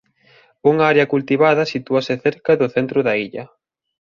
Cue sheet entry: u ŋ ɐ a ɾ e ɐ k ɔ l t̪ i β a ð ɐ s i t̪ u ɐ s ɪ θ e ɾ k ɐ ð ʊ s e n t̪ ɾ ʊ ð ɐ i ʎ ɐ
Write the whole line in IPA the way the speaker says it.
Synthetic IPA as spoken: u ŋ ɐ a ɾ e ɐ k u l t̪ i β a ð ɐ s i t̪ u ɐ s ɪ θ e ɾ k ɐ ð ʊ θ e n t̪ ɾ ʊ ð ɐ i ʎ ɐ